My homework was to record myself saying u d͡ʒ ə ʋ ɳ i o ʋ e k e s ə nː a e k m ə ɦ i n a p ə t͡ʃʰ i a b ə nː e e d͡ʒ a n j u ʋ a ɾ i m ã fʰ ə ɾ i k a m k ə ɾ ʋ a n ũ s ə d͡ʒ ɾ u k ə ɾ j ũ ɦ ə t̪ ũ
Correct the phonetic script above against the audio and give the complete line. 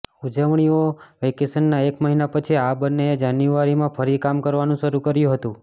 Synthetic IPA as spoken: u d͡ʒ ə ʋ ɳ i o ʋ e k e s ə nː a e k m ə ɦ i n a p ə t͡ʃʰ i a b ə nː e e d͡ʒ a n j u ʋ a ɾ i m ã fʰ ə ɾ i k a m k ə ɾ ʋ a n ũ ʃ ə ɾ u k ə ɾ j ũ ɦ ə t̪ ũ